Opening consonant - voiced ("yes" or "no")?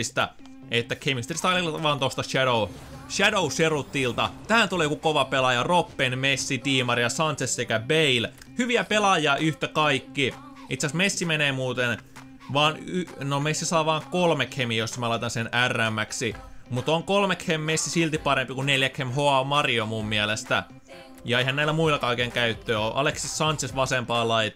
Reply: no